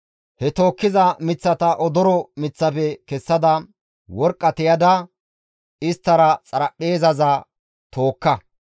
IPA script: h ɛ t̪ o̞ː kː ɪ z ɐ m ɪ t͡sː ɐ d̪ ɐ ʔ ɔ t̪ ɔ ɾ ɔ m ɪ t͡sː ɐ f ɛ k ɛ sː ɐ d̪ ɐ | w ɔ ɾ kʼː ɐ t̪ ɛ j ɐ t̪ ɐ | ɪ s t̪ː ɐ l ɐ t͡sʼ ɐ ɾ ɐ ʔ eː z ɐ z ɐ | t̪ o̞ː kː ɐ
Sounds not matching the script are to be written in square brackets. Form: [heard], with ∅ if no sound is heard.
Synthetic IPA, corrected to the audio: h ɛ t̪ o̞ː kː ɪ z ɐ m ɪ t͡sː ɐ [t̪] ɐ ʔ ɔ [d̪] ɔ ɾ ɔ m ɪ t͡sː ɐ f ɛ k ɛ sː ɐ d̪ ɐ | w ɔ ɾ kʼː ɐ t̪ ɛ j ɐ [d̪] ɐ | ɪ s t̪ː ɐ [ɾ] ɐ t͡sʼ ɐ ɾ ɐ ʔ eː z ɐ z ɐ | t̪ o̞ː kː ɐ